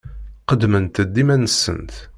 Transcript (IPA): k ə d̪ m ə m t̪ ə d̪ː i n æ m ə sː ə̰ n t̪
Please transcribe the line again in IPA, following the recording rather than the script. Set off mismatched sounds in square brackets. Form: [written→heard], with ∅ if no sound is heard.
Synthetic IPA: [k→q] ə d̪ m ə [m→n] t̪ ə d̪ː i [n→m] æ [m→n] ə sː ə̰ n t̪